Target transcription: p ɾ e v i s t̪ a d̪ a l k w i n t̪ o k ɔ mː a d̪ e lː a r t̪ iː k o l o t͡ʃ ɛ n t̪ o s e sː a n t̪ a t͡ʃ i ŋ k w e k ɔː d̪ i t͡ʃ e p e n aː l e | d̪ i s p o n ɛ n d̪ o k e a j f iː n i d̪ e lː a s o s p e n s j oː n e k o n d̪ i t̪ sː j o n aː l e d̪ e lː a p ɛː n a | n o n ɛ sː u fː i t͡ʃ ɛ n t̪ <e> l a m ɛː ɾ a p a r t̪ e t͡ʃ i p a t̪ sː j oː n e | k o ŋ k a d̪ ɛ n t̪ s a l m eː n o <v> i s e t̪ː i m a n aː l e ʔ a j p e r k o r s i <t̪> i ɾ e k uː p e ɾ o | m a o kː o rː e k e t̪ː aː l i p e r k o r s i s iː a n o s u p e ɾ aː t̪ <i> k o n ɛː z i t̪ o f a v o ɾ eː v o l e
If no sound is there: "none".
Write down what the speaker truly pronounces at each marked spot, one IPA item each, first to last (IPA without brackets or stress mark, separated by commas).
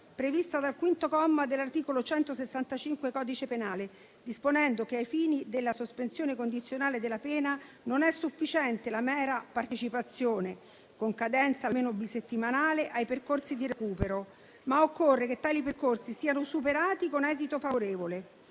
e, b, d̪, i